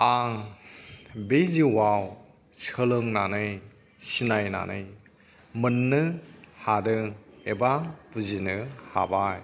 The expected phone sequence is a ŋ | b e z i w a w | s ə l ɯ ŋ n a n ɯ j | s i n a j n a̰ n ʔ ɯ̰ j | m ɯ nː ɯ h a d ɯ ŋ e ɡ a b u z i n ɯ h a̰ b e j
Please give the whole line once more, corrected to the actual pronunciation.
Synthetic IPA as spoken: a ŋ | b e z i w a w | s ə l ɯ ŋ n a n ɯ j | s i n a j n a̰ n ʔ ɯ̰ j | m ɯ nː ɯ h a d ɯ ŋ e b a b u z i n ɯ h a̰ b a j